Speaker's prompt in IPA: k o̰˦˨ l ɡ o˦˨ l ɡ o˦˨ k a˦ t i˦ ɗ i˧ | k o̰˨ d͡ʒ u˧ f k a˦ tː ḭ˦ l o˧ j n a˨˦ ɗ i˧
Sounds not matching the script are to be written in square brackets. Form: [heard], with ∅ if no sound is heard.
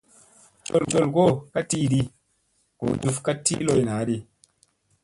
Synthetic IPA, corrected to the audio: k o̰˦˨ l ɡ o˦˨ l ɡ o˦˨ k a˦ t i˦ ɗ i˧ | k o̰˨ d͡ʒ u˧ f k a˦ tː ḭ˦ l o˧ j n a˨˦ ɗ i˧

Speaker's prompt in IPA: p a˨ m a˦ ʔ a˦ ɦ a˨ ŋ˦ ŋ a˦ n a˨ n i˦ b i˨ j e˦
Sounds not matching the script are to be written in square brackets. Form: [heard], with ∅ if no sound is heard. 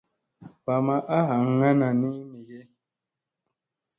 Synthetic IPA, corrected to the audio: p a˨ m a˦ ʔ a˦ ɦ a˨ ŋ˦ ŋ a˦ n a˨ n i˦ [m] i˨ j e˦

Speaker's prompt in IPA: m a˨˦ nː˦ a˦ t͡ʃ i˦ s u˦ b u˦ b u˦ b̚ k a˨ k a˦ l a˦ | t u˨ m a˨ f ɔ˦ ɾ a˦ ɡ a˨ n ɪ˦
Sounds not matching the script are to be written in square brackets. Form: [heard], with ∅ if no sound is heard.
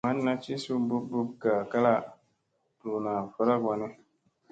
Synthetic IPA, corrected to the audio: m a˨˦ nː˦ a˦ t͡ʃ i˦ s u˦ b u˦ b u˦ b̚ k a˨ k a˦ l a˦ | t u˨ [n] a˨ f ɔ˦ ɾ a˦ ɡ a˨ n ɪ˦

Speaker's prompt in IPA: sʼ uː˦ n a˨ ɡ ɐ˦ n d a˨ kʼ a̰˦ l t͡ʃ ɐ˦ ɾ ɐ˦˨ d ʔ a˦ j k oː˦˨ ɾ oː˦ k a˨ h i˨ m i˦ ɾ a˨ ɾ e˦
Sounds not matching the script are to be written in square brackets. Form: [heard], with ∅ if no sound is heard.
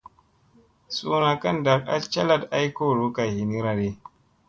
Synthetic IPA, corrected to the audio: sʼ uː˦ n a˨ [k] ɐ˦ n d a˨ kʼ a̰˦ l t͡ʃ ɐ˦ [l] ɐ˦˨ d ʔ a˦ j k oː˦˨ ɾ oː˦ k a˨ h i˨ [n] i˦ ɾ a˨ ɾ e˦

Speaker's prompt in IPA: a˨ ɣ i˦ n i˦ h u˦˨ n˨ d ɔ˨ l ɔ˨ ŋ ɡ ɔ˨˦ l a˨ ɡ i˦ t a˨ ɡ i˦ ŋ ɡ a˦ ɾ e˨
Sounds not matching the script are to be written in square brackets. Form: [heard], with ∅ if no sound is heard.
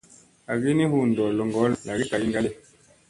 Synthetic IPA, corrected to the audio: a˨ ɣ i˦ n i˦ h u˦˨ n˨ d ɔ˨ l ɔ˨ ŋ ɡ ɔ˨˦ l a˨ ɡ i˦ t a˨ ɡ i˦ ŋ ɡ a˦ [l] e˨

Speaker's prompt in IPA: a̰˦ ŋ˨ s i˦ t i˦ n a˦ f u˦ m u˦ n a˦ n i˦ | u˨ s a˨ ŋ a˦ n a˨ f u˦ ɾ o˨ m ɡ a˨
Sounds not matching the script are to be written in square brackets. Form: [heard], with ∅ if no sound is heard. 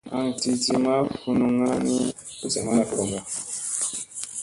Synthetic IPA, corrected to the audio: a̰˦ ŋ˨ [t] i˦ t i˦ [m] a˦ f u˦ [n] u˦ [ŋ] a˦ n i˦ | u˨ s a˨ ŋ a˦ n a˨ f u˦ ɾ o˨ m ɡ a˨

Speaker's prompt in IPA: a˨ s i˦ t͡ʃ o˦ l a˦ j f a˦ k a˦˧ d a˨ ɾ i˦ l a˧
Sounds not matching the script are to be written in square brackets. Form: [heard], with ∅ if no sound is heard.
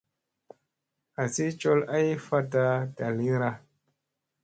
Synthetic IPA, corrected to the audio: a˨ s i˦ t͡ʃ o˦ l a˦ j f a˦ [t] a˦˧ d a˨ [l] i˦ [ɾ] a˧

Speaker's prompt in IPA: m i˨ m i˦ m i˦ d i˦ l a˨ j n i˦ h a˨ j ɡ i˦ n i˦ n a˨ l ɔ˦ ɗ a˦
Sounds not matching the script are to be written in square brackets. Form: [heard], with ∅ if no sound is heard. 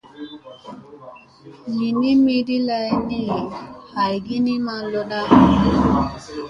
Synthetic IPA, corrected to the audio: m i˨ [n] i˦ m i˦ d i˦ l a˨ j n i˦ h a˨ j ɡ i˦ n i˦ [m] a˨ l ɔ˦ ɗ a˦

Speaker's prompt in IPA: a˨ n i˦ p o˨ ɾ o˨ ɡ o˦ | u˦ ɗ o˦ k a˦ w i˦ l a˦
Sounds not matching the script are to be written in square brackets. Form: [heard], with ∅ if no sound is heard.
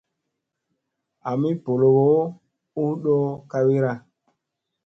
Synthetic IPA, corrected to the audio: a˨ [m] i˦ p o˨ [l] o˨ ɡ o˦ | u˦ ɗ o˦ k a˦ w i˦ [ɾ] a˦

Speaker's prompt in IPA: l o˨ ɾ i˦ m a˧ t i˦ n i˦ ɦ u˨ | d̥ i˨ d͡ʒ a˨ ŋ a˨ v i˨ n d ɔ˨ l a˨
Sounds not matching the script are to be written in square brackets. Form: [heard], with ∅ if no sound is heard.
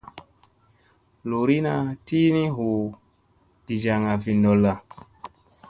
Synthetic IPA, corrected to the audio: l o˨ ɾ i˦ [n] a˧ t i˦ n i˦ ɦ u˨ | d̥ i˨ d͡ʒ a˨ ŋ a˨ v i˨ n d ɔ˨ l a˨

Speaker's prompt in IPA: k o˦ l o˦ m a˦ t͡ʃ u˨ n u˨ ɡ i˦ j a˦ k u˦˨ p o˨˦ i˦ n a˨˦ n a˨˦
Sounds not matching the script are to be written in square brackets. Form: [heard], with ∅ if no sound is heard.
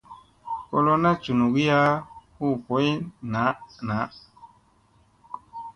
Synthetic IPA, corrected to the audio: k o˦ l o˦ [n] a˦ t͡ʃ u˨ n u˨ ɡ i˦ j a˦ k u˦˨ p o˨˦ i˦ n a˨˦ n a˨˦

